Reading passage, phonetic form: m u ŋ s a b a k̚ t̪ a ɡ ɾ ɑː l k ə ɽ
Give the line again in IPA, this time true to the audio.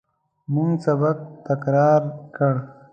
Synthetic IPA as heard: m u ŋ s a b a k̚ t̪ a k ɾ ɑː ɾ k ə ɽ